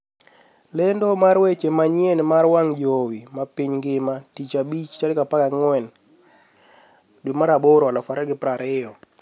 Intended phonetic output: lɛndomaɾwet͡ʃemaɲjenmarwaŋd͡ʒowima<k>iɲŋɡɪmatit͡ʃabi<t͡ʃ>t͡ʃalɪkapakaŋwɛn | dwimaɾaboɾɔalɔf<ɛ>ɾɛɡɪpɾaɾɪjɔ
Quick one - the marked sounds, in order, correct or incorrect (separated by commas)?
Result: incorrect, correct, incorrect